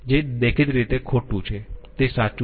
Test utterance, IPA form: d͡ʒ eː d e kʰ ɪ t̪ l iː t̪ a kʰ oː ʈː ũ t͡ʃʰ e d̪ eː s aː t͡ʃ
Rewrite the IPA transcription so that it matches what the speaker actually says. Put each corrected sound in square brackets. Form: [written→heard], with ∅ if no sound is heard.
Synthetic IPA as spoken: d͡ʒ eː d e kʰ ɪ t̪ [l→ɾ] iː t̪ [a→e] kʰ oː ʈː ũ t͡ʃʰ e [d̪→t̪] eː s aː t͡ʃ